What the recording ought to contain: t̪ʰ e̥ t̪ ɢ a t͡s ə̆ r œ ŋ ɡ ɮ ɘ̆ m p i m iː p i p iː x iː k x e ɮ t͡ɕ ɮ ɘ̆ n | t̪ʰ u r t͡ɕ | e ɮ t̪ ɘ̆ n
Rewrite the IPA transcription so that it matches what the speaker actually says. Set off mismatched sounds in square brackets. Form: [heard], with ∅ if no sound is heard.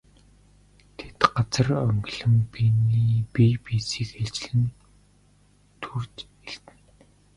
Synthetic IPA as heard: t̪ʰ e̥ t̪ ɢ a t͡s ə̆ r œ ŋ ɡ ɮ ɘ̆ m p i [n] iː p i p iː [s] iː k x e ɮ t͡ɕ ɮ ɘ̆ n | t̪ʰ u r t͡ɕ | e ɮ t̪ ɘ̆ n